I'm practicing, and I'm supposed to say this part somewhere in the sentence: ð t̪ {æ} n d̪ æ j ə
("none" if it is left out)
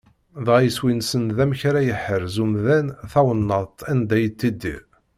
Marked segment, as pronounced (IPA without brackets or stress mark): æ